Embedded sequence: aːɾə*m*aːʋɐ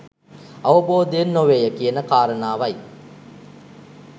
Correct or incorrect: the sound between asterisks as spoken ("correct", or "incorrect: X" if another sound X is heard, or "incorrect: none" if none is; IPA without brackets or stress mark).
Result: incorrect: n